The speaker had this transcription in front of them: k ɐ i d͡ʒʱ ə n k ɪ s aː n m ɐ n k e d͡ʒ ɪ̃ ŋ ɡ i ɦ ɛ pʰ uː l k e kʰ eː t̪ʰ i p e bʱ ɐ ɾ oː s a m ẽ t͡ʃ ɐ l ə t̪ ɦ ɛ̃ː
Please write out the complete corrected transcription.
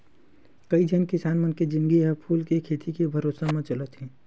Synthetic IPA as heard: k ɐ i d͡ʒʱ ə n k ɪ s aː n m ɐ n k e d͡ʒ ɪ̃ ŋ ɡ i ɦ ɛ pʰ uː l k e kʰ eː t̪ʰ i k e bʱ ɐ ɾ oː s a m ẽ t͡ʃ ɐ l ə t̪ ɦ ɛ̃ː